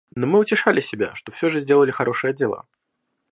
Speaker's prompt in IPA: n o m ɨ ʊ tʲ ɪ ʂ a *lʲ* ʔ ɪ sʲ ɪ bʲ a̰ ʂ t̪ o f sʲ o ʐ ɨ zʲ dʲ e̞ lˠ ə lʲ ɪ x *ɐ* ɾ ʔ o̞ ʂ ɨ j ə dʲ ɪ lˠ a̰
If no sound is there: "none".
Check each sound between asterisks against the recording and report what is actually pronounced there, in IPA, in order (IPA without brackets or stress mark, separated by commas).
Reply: lʲ, ɐ